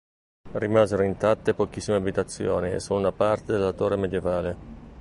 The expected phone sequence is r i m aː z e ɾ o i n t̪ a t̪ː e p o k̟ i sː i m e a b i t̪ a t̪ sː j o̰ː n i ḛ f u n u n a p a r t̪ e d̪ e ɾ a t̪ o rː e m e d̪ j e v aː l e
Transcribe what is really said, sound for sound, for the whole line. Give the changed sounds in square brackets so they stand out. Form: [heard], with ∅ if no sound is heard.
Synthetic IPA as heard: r i m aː z e ɾ o i n t̪ a t̪ː e p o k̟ i sː i m e a b i t̪ a t̪ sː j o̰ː n i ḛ [s] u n u n a p a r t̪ e d̪ e [l] a t̪ o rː e m e d̪ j e v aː l e

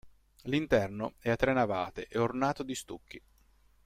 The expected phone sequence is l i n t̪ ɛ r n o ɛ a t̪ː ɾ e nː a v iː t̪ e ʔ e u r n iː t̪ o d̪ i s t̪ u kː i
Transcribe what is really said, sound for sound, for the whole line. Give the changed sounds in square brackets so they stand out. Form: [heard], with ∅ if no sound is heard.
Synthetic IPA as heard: l i n t̪ ɛ r n o ɛ a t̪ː ɾ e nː a v [aː] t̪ e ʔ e [o] r n [aː] t̪ o d̪ i s t̪ u kː i

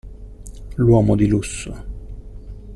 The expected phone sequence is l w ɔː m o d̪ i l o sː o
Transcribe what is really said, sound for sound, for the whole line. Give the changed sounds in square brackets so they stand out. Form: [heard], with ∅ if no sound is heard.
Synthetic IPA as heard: l w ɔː m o d̪ i l [u] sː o

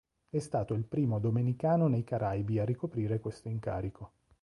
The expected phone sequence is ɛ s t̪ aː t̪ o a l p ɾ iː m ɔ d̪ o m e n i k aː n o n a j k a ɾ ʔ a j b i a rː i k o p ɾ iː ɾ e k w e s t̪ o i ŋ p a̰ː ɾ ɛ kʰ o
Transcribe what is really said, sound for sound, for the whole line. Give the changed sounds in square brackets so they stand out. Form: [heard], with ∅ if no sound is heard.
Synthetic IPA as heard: ɛ s t̪ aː t̪ o [i] l p ɾ iː m [o] d̪ o m e n i k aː n o n [e] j k a ɾ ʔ a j b i a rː i k o p ɾ iː ɾ e k w e s t̪ o i ŋ [k] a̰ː ɾ [i] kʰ o

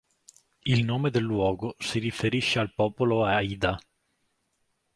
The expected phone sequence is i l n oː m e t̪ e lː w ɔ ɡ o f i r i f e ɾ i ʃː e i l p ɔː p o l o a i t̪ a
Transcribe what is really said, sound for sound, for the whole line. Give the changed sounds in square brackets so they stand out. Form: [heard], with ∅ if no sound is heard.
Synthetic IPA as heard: i l n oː m e [d̪] e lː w [ɔː] ɡ o [s] i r i f e ɾ i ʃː e [a] l p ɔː p o l o a i [d̪] a

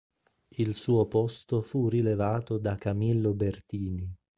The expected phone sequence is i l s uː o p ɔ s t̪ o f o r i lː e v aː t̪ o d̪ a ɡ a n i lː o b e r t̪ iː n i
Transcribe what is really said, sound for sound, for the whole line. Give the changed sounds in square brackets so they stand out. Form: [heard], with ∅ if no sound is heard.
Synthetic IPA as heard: i l s uː o p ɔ s t̪ o f [u] r i [l] e v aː t̪ o d̪ a [k] a [m] i lː o b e r t̪ iː n i

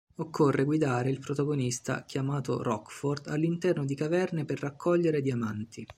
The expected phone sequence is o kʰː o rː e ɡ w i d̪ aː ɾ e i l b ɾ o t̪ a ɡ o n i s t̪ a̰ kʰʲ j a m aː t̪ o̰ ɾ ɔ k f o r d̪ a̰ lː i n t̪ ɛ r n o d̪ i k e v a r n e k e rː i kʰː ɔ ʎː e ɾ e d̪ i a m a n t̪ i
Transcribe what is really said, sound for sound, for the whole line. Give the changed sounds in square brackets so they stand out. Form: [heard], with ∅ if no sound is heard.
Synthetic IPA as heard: o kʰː o rː e ɡ w i d̪ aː ɾ e i l [p] ɾ o t̪ a ɡ o n i s t̪ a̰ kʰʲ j a m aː t̪ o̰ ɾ ɔ k f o r d̪ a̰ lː i n t̪ ɛ r n o d̪ i k [a] v [ɛ] r n e [p] e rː [a] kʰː ɔ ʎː e ɾ e d̪ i a m a n t̪ i

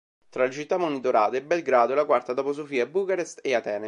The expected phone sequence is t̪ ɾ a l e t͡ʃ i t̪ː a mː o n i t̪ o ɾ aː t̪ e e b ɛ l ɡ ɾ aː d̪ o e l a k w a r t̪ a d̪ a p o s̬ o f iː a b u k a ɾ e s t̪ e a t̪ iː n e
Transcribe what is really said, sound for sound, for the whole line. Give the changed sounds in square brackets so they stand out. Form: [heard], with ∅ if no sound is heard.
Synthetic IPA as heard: t̪ ɾ a l e t͡ʃ i t̪ː a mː o n i t̪ o ɾ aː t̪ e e b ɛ l ɡ ɾ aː d̪ o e l a k w a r t̪ a d̪ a p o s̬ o f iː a b u k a ɾ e s t̪ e a t̪ [ɛː] n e

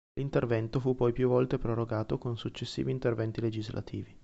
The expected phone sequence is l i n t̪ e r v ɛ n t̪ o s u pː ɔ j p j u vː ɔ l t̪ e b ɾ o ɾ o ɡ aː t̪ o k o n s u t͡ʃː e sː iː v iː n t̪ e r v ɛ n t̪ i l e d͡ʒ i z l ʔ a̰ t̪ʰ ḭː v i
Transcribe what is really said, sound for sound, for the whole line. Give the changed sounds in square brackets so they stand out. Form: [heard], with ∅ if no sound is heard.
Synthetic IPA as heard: l i n t̪ e r v ɛ n t̪ o [f] u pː ɔ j p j u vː ɔ l t̪ e [p] ɾ o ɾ o ɡ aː t̪ o k o n s u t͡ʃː e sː iː v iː n t̪ e r v ɛ n t̪ i l e d͡ʒ i z l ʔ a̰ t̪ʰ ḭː v i

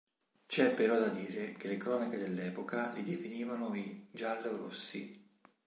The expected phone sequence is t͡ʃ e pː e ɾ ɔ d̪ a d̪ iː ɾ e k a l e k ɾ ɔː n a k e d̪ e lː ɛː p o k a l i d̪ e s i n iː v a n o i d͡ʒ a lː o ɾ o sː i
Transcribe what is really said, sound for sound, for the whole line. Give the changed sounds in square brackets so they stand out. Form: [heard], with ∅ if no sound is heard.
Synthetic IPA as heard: t͡ʃ [ɛ] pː e ɾ ɔ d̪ a d̪ iː ɾ e k [e] l e k ɾ ɔː n a k e d̪ e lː ɛː p o k a l i d̪ e [f] i n iː v a n o i d͡ʒ a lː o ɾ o sː i

